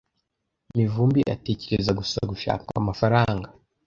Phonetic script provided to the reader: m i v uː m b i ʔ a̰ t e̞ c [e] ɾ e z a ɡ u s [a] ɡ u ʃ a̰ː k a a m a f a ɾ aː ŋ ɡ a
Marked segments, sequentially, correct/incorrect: correct, correct

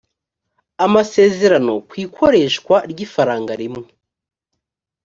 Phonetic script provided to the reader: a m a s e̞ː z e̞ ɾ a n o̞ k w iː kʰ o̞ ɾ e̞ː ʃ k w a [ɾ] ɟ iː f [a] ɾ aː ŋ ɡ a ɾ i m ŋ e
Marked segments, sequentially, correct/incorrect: correct, correct

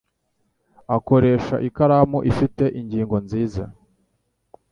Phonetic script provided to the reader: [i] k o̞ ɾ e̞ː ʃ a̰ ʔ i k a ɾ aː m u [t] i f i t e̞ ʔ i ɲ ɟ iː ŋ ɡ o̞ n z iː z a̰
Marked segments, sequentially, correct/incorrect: incorrect, incorrect

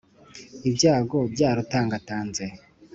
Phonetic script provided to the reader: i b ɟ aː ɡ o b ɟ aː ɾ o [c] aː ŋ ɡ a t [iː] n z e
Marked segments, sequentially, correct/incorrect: incorrect, incorrect

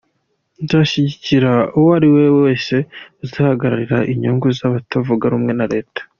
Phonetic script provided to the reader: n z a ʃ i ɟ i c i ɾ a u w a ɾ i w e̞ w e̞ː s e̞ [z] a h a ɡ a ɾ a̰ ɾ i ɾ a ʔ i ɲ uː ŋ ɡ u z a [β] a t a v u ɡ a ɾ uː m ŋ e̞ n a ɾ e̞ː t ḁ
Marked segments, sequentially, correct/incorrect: correct, correct

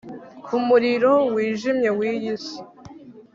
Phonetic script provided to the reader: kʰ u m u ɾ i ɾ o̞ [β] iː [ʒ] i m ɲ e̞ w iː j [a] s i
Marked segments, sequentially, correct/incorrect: incorrect, correct, incorrect

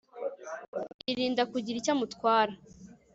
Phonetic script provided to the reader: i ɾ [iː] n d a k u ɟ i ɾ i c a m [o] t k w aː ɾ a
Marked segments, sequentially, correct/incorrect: correct, incorrect

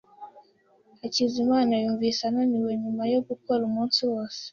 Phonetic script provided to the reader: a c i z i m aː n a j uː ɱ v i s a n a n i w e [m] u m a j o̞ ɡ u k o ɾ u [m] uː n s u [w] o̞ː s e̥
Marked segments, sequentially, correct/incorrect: incorrect, correct, correct

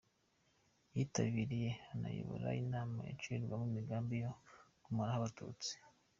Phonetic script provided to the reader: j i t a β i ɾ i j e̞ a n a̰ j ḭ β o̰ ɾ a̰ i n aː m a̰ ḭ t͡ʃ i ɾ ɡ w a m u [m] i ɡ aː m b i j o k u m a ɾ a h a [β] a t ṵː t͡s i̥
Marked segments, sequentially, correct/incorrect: correct, correct

